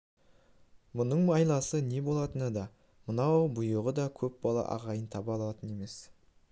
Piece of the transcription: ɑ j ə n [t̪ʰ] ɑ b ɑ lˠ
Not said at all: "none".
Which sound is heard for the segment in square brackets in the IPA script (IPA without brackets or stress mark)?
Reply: t̪ʰ